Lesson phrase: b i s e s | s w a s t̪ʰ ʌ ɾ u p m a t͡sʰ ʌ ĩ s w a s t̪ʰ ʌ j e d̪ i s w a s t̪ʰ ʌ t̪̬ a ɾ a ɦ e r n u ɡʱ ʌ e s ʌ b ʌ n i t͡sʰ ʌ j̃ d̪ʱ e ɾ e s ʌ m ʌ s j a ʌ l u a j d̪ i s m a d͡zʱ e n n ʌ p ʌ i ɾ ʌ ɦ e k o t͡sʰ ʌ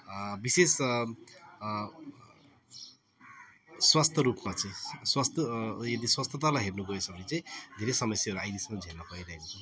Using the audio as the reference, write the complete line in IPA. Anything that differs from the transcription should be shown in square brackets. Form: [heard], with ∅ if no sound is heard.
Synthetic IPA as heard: b i s e s | s w a s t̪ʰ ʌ ɾ u p m a [t͡s] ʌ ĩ s w a s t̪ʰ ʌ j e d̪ i s w a s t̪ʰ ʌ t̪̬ a [l] a ɦ e r n u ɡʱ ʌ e s ʌ b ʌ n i [t͡s] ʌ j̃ d̪ʱ e ɾ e s ʌ m ʌ s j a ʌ [ɾ] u a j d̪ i s m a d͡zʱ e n n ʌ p ʌ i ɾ ʌ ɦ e k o t͡sʰ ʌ